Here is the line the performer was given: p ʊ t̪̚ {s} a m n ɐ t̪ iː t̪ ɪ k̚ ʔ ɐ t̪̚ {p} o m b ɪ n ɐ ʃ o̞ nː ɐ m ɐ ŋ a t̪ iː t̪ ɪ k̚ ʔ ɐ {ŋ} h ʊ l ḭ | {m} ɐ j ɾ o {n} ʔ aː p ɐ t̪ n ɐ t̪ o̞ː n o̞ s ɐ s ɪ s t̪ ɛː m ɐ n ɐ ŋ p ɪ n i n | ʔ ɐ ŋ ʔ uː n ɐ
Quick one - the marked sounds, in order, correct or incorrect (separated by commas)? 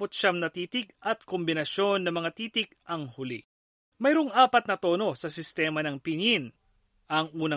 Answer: incorrect, incorrect, correct, correct, incorrect